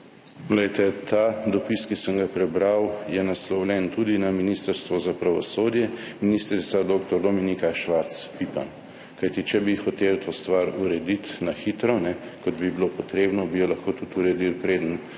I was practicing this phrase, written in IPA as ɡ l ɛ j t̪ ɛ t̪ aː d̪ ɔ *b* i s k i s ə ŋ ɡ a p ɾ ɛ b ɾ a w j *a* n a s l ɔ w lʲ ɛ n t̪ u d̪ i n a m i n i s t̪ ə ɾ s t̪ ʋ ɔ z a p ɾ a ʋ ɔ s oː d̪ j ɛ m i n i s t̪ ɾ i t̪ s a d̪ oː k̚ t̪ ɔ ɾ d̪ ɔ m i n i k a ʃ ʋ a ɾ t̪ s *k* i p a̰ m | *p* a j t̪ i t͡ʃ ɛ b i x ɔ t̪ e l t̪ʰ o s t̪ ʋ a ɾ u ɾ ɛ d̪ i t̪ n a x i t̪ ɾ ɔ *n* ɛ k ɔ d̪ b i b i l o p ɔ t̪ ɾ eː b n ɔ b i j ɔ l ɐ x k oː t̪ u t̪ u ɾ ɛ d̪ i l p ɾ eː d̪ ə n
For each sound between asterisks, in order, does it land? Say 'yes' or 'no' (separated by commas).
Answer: no, no, no, no, yes